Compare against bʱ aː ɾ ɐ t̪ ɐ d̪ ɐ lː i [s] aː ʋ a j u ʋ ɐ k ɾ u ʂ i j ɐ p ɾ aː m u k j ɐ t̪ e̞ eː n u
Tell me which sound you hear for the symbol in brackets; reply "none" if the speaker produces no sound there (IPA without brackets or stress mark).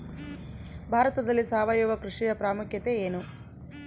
s